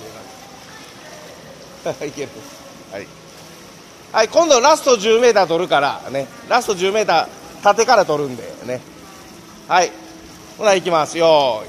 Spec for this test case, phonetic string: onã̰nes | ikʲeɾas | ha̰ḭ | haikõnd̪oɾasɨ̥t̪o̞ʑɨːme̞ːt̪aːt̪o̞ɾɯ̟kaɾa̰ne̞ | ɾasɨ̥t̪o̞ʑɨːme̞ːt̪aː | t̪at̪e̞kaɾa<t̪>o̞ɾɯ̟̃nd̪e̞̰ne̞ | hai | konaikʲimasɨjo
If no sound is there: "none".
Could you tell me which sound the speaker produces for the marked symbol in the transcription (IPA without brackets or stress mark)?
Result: t̪